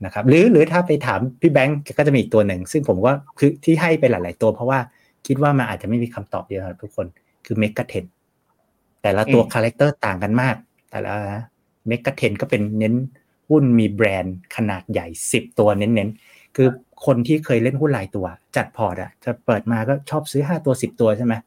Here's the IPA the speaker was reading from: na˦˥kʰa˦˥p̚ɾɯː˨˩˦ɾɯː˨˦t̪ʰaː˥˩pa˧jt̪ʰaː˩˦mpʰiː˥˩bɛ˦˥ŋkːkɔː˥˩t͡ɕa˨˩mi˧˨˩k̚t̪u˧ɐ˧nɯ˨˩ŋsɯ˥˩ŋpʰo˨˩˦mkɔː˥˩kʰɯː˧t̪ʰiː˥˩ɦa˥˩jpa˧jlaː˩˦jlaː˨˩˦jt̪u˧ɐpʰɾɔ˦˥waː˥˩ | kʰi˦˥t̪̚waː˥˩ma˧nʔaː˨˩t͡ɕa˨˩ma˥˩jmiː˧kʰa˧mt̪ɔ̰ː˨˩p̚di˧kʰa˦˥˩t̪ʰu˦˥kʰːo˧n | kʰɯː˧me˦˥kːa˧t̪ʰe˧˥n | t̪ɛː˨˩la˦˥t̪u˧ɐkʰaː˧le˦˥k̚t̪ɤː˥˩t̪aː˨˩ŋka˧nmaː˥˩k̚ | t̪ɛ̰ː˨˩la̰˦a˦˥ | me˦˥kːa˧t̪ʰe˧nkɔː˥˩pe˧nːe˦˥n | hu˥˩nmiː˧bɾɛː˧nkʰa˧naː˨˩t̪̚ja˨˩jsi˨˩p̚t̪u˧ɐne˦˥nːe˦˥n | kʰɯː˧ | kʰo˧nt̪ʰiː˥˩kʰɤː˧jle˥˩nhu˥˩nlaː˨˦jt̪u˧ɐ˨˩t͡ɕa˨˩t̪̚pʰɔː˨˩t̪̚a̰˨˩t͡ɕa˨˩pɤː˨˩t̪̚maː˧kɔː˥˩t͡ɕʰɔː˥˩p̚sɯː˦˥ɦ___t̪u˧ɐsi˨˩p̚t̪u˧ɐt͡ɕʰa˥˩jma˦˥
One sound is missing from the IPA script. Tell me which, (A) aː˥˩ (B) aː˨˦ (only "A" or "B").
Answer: A